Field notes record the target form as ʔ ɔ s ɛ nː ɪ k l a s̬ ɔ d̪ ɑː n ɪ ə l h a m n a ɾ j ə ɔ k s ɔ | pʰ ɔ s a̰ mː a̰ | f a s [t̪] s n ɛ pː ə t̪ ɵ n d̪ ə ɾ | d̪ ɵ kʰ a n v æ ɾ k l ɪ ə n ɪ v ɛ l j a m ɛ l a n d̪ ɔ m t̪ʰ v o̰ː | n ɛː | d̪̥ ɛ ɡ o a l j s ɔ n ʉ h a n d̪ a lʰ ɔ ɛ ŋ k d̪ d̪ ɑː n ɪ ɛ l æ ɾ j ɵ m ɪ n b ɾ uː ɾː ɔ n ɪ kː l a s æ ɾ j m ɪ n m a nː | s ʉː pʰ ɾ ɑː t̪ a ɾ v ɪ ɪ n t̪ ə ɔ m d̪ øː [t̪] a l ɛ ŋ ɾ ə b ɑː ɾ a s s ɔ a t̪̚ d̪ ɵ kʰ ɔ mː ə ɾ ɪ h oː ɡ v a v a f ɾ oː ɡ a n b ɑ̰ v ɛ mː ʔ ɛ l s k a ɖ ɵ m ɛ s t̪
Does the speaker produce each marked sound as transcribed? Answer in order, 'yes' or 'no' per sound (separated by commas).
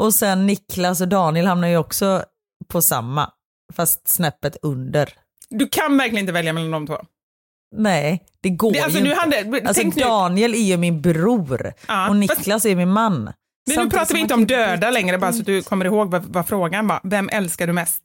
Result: yes, no